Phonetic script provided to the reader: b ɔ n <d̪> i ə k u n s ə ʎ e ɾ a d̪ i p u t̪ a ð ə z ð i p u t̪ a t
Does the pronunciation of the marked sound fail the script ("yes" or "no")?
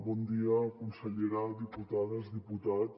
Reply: no